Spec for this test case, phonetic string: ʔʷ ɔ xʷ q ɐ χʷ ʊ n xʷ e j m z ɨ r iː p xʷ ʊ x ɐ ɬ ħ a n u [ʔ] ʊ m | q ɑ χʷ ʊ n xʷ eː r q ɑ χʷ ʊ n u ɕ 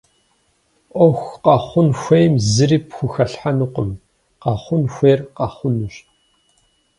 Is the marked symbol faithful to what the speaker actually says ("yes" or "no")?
no